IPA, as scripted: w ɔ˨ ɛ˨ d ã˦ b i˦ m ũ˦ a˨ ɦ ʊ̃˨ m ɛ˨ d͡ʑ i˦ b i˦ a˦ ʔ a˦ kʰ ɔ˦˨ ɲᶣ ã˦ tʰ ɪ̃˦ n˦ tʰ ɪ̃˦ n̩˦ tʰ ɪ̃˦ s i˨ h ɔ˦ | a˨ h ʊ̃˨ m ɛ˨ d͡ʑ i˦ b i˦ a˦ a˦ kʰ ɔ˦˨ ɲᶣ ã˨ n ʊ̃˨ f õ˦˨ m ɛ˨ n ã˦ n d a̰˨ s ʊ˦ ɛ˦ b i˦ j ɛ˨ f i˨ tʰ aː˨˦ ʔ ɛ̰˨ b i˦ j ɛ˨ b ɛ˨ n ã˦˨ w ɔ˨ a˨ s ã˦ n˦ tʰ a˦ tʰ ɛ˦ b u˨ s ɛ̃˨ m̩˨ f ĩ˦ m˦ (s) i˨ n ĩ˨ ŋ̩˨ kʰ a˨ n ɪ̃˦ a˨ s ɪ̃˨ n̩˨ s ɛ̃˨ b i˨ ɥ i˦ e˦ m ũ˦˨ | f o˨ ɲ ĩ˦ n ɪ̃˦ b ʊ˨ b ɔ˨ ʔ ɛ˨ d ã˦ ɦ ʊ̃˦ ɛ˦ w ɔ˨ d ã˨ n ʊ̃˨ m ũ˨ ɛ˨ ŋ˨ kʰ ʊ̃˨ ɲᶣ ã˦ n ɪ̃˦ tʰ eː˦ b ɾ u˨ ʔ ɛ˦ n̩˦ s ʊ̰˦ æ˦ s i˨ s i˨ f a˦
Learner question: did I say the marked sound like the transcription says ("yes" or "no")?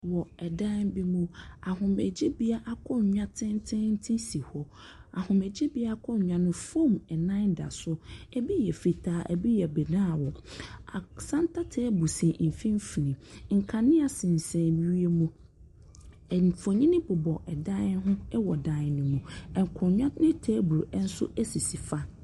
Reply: no